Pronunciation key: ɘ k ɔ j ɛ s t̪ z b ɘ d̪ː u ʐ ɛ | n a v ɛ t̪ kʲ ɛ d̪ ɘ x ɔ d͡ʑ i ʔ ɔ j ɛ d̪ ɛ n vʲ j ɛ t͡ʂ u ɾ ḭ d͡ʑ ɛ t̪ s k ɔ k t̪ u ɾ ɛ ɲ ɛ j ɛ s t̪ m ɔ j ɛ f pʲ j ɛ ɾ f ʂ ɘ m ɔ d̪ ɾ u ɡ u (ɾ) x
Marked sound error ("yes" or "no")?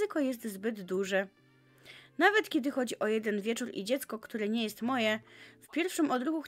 yes